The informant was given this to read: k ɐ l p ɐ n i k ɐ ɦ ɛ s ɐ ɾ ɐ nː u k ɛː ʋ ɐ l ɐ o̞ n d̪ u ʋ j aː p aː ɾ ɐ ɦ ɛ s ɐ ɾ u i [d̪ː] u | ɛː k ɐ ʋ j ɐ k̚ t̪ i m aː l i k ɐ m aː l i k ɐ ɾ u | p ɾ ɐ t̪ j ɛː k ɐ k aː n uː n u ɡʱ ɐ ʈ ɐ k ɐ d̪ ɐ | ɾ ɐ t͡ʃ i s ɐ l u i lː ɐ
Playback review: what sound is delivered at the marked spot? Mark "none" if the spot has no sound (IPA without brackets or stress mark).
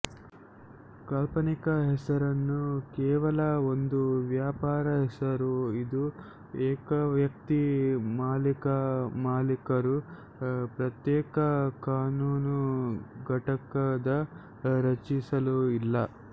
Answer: d̪